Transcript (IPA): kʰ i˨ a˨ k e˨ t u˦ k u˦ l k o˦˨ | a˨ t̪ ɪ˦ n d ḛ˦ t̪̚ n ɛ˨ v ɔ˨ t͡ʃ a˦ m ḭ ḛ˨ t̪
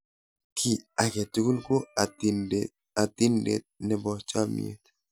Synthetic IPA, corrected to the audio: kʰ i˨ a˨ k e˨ t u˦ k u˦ l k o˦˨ | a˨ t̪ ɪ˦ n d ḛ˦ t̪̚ n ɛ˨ b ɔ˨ t͡ʃ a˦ m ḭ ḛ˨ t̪